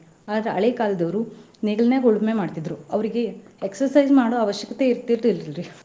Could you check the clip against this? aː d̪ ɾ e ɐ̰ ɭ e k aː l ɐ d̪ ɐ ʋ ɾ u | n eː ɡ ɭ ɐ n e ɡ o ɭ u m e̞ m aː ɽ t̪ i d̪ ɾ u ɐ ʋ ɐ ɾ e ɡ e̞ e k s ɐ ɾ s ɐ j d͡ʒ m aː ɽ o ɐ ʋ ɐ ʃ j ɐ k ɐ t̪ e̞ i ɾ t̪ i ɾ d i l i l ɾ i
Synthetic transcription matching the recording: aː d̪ ɾ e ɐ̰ ɭ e k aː l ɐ d̪ ɐ ʋ ɾ u | n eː ɡ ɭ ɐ n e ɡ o ɭ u m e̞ m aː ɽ t̪ i d̪ ɾ u ɐ ʋ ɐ ɾ i ɡ e̞ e k s ɐ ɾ s ɐ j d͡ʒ m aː ɽ o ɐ ʋ ɐ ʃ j ɐ k ɐ t̪ e̞ i ɾ t̪ i ɾ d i l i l ɾ i